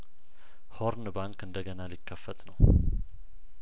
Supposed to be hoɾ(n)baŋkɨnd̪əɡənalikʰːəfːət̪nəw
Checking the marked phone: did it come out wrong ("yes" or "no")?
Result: no